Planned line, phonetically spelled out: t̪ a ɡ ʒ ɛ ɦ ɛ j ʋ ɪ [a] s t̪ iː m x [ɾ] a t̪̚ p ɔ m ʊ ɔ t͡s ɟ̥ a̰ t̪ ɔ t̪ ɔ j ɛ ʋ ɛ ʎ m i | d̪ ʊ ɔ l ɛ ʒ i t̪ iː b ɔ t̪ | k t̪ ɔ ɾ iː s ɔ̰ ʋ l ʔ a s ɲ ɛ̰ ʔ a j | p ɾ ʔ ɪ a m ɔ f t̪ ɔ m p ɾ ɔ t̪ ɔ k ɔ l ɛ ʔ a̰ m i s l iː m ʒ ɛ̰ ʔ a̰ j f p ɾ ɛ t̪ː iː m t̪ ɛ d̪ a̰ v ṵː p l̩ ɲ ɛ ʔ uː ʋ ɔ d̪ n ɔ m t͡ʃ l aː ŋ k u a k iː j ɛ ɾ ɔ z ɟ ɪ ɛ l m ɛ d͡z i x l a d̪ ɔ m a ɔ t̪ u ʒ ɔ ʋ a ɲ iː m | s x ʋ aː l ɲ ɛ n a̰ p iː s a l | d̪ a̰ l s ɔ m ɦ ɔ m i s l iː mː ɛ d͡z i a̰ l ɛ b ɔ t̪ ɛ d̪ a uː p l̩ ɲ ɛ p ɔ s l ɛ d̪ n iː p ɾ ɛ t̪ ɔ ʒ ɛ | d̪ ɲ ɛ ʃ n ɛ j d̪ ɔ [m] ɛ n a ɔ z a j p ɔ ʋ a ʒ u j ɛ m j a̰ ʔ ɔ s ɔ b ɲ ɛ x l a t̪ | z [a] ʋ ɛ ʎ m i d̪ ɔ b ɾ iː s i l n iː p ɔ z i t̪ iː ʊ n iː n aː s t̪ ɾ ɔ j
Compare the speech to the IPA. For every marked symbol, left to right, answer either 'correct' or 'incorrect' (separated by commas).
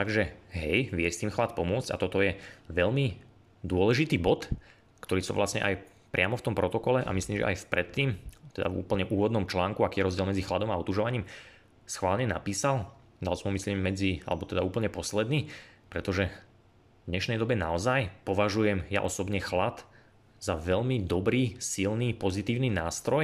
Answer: incorrect, incorrect, incorrect, correct